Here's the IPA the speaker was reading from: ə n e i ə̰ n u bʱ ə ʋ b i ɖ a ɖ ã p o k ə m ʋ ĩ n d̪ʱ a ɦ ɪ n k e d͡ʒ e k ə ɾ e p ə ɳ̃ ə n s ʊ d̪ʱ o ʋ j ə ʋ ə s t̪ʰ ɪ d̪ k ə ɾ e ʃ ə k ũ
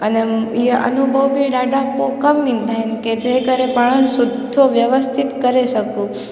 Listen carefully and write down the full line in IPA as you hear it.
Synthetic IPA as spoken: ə n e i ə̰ n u bʱ ə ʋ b i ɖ a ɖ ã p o k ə m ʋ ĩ n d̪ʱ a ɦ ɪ n k e d͡ʒ e k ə ɾ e p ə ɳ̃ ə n s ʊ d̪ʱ o ʋ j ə ʋ ə s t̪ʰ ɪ t̪ k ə ɾ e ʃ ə k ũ